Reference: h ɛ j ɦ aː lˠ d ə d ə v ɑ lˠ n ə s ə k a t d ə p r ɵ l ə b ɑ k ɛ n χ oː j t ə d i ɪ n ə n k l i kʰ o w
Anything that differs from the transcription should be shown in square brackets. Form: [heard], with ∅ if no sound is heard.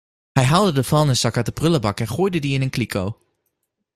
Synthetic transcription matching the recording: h ɛ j ɦ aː lˠ d ə d ə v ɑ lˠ n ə s [ɑ] k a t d ə p r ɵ l ə b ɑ k ɛ n χ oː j [d] ə d i ɪ n ə n k l i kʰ o w